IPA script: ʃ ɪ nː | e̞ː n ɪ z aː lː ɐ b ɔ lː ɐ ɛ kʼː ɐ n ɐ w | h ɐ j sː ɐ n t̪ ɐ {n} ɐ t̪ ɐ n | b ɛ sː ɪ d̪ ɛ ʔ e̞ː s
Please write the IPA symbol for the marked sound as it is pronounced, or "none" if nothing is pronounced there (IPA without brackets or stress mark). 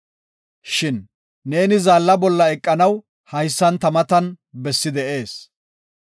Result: m